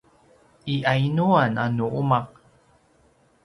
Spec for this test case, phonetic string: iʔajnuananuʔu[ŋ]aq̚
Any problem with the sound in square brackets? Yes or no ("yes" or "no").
yes